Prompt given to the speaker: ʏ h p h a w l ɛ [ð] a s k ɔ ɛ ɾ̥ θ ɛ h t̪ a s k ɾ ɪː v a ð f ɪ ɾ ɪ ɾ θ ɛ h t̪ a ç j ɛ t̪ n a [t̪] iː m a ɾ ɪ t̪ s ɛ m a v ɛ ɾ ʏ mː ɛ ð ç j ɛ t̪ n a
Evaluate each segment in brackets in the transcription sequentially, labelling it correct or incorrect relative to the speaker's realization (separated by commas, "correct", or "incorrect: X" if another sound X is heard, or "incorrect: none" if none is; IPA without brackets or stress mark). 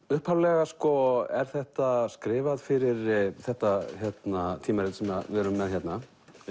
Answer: incorrect: ɣ, incorrect: t̪ʰ